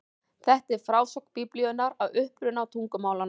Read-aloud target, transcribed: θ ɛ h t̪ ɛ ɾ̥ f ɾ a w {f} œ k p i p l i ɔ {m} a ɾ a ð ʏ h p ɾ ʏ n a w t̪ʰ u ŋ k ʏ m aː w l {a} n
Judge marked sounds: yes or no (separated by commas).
no, no, yes